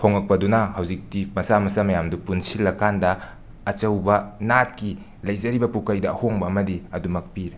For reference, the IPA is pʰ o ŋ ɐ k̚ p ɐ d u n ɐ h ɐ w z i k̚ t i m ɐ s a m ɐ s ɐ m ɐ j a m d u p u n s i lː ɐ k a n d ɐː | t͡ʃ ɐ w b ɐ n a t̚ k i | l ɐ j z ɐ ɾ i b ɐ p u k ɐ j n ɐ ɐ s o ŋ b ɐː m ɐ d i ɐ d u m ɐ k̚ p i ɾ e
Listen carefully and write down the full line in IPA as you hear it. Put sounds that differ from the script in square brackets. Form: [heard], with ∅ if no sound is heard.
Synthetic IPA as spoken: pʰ o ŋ ɐ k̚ p ɐ d u n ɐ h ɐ w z i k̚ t i m ɐ s a m ɐ s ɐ m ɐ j a m d u p u n s i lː ɐ k a n d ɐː | t͡ʃ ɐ w b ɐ n a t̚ k i | l ɐ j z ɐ ɾ i b ɐ p u k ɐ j [d] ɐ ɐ [h] o ŋ b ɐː m ɐ d i ɐ d u m ɐ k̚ p i ɾ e

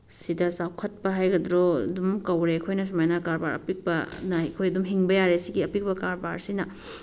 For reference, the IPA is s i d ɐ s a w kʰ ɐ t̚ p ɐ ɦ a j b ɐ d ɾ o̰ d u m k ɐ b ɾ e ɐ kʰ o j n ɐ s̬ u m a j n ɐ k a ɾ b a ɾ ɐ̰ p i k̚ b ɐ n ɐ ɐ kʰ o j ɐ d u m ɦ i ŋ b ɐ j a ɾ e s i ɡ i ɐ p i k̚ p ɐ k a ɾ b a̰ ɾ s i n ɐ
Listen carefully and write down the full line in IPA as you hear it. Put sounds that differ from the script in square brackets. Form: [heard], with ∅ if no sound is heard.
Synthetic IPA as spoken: s i d ɐ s a w kʰ ɐ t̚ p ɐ ɦ a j [ɡ] ɐ d ɾ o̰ d u m k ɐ [w] ɾ e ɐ kʰ o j n ɐ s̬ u m a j n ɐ k a ɾ b a ɾ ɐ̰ p i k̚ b ɐ n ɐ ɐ kʰ o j ɐ d u m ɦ i ŋ b ɐ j a ɾ e s i ɡ i ɐ p i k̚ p ɐ k a ɾ b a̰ ɾ s i n ɐ

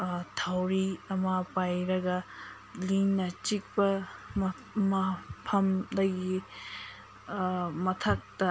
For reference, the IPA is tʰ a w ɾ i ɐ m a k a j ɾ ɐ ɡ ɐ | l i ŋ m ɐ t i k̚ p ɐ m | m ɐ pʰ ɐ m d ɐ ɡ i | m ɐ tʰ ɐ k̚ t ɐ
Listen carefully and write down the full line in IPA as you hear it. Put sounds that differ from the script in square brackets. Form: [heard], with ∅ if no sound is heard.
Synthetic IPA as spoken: tʰ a w ɾ i ɐ m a [p] a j ɾ ɐ ɡ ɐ | l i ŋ [n] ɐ [t͡ʃ] i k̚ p ɐ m | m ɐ pʰ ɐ m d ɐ ɡ i | m ɐ tʰ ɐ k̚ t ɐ

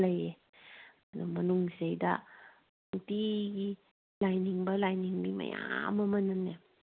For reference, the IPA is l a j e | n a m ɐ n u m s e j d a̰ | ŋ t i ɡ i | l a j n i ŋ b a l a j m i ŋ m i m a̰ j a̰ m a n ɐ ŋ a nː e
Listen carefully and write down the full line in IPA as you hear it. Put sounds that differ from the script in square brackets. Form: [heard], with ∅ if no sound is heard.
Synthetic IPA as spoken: l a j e | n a m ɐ n u [ŋ] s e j d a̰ | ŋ t i ɡ i | l a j n i ŋ b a l a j [n] i ŋ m i m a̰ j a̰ m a [m] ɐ [n] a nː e

